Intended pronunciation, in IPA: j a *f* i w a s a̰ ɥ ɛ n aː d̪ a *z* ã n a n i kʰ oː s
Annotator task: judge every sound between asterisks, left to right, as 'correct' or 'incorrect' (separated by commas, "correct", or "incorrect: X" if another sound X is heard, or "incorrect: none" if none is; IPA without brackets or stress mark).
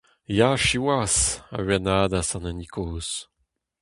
incorrect: ʃ, incorrect: s